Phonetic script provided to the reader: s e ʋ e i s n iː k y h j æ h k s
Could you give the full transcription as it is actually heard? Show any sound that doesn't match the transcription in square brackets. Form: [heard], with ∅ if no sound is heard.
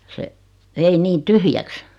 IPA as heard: s e ʋ e i [∅] n iː [t] y h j æ [∅] k s